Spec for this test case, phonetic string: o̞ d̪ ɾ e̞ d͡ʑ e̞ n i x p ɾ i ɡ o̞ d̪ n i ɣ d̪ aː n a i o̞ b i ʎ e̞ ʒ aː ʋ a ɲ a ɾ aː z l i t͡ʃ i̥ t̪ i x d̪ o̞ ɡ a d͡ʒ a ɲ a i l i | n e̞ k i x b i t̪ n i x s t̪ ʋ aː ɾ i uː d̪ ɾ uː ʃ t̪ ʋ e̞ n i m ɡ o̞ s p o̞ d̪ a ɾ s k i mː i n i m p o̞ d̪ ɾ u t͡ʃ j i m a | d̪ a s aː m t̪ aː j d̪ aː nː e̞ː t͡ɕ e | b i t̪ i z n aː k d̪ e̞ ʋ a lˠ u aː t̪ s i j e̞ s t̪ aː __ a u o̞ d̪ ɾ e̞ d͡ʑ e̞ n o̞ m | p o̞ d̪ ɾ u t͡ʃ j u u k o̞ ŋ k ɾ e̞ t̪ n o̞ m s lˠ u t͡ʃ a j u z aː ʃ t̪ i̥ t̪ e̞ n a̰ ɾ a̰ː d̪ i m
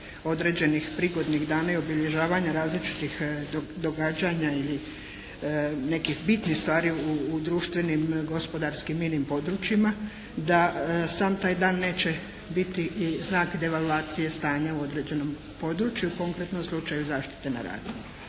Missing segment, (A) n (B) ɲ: B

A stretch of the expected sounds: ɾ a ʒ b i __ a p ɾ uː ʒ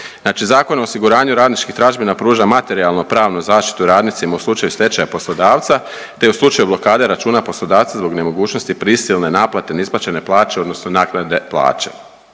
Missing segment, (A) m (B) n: B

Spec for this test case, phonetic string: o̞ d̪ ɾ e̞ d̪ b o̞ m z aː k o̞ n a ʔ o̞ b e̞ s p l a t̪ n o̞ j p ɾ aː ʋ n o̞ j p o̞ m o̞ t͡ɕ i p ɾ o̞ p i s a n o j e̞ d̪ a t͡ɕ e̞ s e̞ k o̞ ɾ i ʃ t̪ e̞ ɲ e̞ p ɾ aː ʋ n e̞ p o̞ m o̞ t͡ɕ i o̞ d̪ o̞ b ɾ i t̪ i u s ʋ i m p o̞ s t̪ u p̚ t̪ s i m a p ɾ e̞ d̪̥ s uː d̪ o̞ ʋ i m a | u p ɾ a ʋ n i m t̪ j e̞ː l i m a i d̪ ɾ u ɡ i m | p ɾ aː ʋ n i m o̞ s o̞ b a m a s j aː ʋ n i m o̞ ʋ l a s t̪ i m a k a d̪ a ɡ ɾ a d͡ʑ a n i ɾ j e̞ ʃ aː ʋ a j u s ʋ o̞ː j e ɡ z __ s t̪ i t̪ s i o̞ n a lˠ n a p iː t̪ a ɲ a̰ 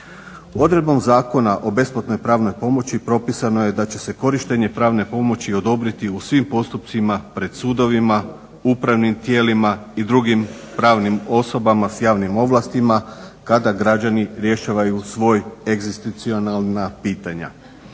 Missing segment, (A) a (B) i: B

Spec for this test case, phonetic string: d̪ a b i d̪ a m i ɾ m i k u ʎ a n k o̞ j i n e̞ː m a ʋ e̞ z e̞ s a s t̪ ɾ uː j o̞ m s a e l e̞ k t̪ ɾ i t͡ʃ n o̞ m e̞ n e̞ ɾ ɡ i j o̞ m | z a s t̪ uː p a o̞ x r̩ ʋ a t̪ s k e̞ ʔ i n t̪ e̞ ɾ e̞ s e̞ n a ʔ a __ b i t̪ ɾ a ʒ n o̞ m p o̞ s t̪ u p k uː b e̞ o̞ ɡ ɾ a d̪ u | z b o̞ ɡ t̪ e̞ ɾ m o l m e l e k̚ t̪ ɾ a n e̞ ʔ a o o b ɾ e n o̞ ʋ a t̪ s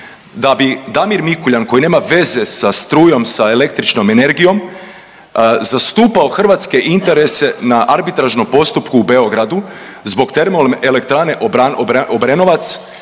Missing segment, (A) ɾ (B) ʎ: A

